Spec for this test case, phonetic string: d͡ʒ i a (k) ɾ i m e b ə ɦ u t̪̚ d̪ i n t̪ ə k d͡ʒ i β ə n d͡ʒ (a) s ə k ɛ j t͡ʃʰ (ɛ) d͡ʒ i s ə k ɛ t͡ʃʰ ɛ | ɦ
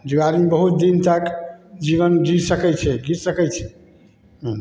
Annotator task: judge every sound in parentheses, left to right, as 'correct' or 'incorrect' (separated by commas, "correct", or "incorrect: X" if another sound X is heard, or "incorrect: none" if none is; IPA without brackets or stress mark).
incorrect: none, incorrect: i, correct